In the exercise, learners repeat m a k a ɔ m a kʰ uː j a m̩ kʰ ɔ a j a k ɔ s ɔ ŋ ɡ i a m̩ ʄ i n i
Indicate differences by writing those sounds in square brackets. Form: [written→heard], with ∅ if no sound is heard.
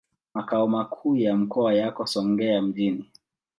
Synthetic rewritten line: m a k a ɔ m a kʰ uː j a m̩ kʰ ɔ a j a k ɔ s ɔ ŋ ɡ [i→ɛ] a m̩ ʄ i n i